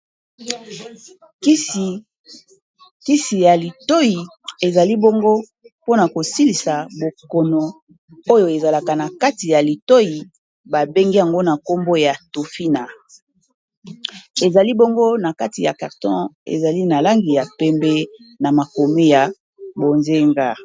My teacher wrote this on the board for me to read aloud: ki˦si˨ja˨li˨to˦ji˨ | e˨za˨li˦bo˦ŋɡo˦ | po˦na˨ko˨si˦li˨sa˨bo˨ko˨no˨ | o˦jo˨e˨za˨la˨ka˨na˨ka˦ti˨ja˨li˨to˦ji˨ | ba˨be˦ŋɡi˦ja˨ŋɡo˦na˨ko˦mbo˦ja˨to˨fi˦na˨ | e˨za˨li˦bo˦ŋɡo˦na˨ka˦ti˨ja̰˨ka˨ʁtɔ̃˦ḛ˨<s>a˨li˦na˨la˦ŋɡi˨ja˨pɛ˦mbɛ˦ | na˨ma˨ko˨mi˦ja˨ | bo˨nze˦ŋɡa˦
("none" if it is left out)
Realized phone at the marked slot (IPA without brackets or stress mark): z